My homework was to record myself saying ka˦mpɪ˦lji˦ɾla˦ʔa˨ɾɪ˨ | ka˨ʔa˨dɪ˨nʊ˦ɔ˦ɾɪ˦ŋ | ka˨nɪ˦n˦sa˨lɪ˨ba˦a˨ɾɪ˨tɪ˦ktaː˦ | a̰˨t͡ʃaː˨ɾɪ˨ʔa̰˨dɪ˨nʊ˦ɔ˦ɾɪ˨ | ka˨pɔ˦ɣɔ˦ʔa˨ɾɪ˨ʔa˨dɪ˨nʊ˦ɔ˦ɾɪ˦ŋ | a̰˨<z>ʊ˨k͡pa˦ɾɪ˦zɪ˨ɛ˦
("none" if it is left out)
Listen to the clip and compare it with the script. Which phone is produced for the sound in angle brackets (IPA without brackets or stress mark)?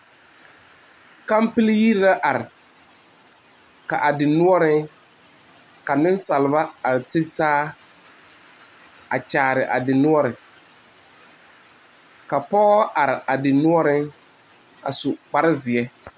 s